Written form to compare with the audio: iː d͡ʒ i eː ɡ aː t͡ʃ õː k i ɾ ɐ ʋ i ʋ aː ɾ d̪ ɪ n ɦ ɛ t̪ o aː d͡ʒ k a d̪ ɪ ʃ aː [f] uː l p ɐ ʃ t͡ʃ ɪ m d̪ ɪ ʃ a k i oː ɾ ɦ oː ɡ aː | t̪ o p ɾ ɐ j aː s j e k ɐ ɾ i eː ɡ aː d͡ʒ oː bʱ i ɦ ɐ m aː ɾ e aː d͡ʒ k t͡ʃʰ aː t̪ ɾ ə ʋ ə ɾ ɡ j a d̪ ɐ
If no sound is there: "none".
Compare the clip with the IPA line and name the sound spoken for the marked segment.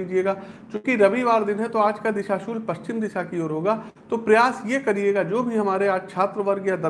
ʃ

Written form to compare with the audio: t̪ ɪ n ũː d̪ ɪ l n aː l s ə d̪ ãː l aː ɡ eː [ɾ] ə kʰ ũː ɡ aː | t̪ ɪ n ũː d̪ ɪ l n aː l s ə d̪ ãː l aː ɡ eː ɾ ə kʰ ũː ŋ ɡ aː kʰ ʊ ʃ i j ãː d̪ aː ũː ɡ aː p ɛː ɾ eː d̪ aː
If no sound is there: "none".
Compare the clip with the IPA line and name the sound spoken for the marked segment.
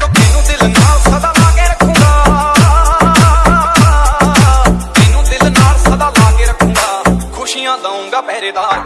ɾ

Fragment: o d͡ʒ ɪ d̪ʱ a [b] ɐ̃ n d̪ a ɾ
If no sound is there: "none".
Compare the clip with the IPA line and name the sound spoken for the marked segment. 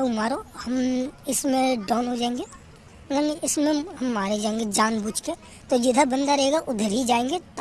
b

